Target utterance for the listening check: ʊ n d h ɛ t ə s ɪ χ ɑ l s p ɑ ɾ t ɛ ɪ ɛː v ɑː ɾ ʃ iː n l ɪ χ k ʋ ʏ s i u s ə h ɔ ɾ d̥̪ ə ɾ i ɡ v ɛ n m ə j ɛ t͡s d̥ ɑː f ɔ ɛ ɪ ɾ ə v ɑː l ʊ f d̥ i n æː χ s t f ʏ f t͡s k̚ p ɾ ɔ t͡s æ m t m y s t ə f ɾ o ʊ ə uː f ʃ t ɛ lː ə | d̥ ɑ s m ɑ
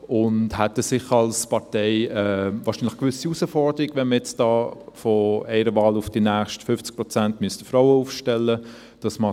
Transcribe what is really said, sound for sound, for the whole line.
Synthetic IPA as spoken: ʊ n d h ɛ t ə s ɪ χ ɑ l s p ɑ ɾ t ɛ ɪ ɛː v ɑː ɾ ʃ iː n l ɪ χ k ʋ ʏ s i u s ə f ɔ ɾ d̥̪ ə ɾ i ɡ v ɛ n m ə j ɛ t͡s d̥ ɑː f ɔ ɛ ɪ ɾ ə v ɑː l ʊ f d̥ i n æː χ ʃ t f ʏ f t͡s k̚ p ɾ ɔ t͡s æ n t m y s t ə f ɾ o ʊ ə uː f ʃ t ɛ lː ə | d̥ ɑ s m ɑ